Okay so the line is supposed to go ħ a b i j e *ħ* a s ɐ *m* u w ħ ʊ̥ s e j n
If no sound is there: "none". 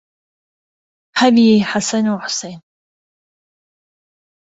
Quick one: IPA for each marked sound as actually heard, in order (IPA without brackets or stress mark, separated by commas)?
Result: ħ, n